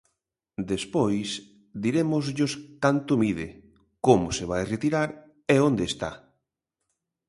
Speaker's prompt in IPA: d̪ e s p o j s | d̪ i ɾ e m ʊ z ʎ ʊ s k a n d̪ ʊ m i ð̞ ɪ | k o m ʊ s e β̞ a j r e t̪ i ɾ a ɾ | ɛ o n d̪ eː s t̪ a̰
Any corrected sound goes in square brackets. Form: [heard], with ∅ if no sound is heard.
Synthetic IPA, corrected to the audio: d̪ e s p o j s | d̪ i ɾ e m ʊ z ʎ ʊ s k a n [t̪] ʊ m i ð̞ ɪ | k o m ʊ s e β̞ a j r e t̪ i ɾ a ɾ | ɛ o n d̪ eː s t̪ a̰